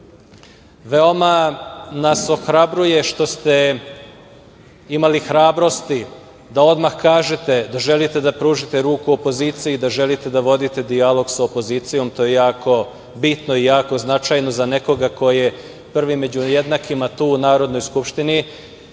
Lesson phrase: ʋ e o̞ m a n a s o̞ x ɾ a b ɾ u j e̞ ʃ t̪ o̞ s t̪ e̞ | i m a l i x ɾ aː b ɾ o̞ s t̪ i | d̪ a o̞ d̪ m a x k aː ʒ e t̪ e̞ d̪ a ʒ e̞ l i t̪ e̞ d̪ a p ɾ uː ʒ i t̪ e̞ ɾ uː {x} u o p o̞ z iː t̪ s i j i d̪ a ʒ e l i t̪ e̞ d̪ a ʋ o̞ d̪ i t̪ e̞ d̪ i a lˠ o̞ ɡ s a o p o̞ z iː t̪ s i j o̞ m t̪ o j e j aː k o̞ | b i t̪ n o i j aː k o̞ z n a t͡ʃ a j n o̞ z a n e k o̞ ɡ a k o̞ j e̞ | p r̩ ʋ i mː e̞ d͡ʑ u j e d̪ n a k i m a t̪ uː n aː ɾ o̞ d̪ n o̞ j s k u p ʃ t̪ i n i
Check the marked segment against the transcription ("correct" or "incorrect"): incorrect